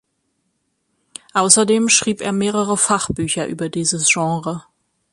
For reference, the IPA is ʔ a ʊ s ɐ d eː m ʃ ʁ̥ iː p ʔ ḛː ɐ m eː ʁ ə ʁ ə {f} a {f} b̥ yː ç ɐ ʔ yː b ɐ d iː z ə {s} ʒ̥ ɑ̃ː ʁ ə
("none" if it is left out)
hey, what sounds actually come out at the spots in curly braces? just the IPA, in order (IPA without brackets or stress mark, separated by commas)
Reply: f, χ, s